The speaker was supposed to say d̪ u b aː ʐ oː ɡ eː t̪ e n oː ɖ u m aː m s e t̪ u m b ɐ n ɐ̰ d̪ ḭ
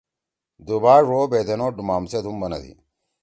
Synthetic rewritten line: d̪ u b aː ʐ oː b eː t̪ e n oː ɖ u m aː m s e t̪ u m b ɐ n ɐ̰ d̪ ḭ

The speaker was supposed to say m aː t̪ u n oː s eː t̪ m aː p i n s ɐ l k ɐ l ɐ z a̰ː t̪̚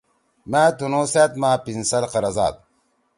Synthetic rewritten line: m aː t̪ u n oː s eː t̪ m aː p i n s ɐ l q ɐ ɾ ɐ z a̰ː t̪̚

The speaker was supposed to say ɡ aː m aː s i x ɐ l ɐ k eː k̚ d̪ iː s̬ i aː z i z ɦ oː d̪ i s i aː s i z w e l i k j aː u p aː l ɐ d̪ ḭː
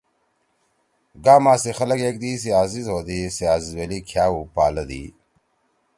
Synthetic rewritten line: ɡ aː m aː s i x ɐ l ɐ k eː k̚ d̪ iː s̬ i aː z i z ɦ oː d̪ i s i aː z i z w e l i kʰ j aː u p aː l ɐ d̪ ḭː

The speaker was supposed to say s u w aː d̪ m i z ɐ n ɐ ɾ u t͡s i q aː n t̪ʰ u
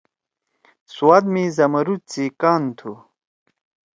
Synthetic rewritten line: s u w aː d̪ m i z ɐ m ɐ ɾ u t͡s i k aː n t̪ʰ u

